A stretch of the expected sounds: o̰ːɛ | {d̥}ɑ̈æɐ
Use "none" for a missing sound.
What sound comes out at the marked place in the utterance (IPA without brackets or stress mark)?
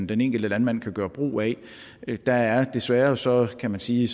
d̥